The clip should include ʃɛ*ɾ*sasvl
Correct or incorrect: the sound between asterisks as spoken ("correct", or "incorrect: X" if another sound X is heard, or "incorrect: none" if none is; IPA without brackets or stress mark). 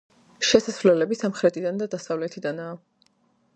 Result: incorrect: none